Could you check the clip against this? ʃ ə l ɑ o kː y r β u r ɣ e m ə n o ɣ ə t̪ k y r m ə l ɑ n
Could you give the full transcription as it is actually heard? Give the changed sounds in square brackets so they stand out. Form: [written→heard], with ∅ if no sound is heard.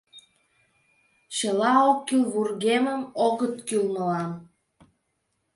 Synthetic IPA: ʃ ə l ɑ o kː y [r→l] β u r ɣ e m ə [n→m] o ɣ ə t̪ k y [r→l] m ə l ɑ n